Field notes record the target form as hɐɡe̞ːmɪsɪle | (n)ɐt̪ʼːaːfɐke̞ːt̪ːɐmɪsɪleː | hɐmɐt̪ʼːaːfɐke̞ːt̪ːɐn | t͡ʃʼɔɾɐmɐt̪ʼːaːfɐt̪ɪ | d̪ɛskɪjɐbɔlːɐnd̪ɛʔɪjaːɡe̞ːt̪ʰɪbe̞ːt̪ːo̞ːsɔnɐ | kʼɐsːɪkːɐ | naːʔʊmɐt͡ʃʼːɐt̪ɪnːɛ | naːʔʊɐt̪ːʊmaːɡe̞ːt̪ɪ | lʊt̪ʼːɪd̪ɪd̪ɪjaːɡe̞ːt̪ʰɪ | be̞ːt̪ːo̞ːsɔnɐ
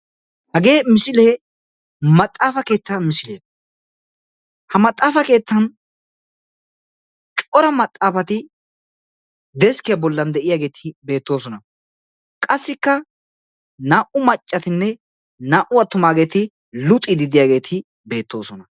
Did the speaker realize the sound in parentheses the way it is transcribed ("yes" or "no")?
no